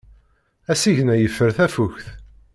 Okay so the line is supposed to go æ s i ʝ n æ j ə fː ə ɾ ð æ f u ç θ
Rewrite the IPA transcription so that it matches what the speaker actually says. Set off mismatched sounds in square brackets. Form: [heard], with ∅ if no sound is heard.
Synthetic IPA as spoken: æ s i ʝ n æ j ə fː ə ɾ [θ] æ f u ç θ